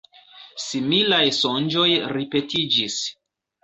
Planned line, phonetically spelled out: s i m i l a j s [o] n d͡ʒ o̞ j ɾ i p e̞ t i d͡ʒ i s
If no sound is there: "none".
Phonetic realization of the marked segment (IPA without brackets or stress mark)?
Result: o